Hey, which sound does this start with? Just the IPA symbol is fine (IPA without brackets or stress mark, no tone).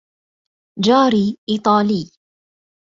d͡ʒ